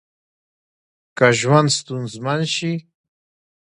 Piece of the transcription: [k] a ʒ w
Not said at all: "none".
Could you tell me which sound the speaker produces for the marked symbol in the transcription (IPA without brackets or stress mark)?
k